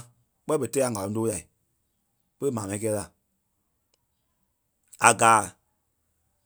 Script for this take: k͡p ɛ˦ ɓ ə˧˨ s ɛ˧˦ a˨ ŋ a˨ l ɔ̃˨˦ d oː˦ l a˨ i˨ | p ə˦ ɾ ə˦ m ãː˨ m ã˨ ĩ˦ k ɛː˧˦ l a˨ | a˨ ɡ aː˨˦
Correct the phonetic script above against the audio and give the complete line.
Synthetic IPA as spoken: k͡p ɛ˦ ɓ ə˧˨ t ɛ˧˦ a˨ ŋ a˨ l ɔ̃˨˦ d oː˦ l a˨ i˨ | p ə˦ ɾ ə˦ m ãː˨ m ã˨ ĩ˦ k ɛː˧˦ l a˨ | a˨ ɡ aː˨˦